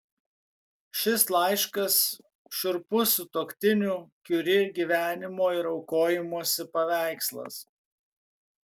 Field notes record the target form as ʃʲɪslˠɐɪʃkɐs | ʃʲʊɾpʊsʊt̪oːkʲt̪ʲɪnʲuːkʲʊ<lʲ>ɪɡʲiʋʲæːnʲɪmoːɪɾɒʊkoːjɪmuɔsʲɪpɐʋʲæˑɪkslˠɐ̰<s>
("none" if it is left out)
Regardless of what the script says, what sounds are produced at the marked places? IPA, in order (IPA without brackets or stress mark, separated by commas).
ɾʲ, s